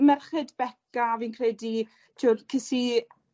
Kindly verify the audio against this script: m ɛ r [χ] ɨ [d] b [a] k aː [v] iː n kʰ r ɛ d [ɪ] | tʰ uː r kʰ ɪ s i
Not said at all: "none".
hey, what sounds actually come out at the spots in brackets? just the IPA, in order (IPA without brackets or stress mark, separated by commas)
χ, d, ɛ, v, i